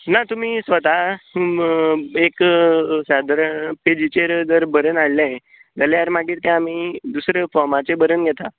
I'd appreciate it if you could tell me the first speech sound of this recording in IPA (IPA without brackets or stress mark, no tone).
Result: n